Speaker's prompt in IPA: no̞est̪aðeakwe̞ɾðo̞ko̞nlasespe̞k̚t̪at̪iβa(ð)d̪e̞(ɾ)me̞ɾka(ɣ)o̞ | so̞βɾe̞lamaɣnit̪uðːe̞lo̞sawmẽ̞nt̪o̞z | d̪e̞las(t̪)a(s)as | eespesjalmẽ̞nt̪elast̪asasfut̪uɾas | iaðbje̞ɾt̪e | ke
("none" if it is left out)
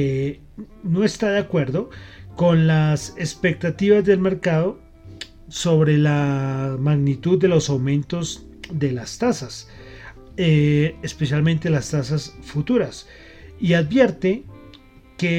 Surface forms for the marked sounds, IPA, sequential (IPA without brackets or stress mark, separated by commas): z, l, ð, t̪, s